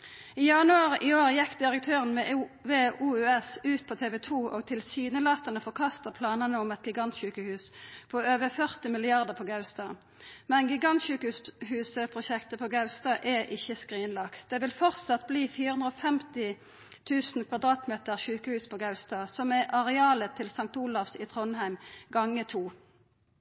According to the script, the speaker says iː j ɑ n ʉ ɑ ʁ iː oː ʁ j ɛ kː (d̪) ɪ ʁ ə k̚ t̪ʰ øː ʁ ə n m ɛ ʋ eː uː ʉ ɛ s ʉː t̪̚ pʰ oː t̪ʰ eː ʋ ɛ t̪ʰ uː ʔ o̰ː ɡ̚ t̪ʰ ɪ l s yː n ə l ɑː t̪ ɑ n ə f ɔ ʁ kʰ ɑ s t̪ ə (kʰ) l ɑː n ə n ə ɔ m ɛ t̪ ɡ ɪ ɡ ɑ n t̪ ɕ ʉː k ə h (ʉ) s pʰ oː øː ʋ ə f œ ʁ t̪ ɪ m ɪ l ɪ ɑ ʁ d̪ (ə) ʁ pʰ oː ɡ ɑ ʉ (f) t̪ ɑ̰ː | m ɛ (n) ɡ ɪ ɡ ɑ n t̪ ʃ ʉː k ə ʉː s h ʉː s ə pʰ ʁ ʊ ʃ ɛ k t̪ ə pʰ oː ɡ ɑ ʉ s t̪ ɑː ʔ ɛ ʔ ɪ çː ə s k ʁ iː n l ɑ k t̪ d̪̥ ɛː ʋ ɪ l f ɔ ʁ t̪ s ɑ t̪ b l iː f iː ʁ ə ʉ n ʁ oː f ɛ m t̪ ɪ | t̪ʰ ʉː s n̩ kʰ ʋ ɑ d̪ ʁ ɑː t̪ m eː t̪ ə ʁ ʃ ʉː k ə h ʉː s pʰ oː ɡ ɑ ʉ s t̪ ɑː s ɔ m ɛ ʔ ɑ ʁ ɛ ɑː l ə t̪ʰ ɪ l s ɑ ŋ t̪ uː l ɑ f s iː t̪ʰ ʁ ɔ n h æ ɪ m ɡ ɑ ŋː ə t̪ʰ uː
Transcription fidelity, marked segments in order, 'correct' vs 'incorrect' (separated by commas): correct, incorrect, incorrect, correct, incorrect, correct